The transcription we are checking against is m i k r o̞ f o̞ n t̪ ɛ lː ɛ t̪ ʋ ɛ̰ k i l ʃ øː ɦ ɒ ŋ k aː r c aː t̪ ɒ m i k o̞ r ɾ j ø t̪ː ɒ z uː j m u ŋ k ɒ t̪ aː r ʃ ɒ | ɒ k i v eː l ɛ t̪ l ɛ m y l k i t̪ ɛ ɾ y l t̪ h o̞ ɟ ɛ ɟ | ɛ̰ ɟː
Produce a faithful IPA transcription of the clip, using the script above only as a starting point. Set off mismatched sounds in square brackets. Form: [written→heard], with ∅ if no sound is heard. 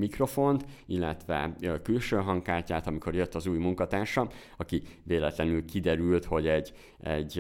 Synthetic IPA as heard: m i k r o̞ f o̞ n t̪ [ɛ→i] lː ɛ t̪ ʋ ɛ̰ k [i→y] l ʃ øː ɦ ɒ ŋ k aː r c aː t̪ ɒ m i k o̞ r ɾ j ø t̪ː ɒ z uː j m u ŋ k ɒ t̪ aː r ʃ ɒ | ɒ k i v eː l ɛ t̪ l ɛ [m→n] y l k i [t̪→d̪] ɛ ɾ y l t̪ h o̞ ɟ ɛ ɟ | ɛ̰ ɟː